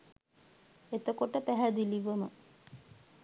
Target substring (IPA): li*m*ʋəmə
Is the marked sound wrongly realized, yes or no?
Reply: yes